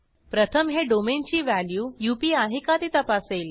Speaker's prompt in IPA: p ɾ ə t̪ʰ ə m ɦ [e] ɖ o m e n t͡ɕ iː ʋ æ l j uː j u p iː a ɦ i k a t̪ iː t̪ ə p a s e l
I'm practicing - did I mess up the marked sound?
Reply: no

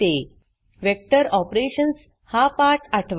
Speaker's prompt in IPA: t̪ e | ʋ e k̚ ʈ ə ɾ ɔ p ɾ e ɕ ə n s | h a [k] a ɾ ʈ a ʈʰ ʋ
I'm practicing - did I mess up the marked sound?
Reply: yes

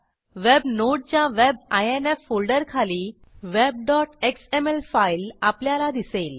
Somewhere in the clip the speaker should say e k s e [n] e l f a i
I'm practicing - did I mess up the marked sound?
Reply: yes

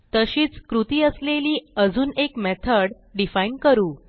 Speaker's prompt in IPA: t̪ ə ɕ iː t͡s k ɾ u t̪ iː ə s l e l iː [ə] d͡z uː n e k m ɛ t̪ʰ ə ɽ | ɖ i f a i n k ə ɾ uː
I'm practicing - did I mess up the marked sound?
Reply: no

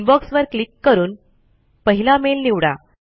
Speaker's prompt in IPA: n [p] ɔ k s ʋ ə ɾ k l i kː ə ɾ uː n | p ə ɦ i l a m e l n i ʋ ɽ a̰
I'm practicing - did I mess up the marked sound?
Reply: yes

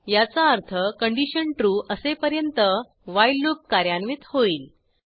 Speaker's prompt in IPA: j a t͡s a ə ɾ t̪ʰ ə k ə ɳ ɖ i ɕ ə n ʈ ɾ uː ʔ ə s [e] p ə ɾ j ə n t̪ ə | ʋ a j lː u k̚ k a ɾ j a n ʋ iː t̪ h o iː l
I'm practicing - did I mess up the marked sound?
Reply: no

